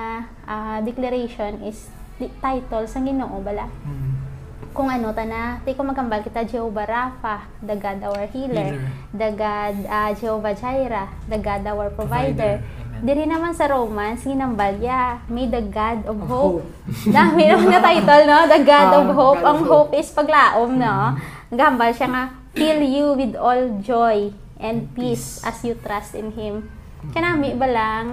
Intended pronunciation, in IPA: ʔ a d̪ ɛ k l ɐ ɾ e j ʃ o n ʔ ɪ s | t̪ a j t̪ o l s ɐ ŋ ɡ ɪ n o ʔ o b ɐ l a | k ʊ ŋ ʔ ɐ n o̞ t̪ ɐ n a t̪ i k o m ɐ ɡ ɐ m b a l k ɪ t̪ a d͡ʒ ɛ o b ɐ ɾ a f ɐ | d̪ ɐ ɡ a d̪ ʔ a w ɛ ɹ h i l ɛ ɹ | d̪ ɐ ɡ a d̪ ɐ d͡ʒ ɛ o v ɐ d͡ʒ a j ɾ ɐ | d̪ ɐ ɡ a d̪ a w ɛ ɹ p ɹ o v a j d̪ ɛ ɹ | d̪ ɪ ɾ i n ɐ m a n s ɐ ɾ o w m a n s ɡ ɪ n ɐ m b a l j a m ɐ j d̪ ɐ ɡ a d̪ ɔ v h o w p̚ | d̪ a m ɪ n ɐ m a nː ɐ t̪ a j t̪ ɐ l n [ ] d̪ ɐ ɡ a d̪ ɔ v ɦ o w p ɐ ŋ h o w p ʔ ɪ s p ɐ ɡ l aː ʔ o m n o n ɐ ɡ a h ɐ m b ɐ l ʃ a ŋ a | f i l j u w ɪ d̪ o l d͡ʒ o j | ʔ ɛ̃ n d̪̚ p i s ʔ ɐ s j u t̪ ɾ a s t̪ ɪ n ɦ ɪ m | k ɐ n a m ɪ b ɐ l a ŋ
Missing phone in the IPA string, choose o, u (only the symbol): o